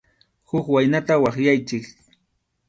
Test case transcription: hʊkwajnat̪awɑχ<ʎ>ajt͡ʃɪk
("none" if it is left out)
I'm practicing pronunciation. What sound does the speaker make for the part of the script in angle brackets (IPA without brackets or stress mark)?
j